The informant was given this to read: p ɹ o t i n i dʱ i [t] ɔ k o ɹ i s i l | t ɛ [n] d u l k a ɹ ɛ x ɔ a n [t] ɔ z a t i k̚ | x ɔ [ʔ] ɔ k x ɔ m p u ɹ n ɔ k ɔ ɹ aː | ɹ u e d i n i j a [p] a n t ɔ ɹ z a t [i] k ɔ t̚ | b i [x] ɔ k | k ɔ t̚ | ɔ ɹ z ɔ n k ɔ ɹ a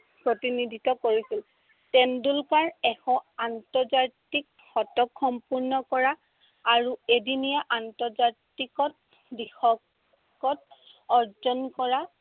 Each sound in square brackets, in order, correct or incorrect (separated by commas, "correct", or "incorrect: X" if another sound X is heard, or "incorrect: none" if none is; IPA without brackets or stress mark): correct, correct, correct, incorrect: t, incorrect: ʔ, correct, correct